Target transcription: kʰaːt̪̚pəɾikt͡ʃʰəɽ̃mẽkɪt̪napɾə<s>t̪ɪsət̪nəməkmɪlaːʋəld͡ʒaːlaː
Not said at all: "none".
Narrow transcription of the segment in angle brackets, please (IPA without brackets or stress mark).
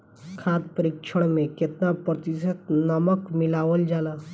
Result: none